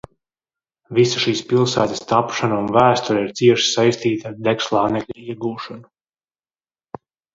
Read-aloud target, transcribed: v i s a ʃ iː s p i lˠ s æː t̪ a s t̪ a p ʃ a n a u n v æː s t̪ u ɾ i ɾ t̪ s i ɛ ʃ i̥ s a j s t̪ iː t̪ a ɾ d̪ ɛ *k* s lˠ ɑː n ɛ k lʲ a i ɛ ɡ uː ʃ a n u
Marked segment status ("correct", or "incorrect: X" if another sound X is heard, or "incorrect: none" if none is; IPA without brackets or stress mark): correct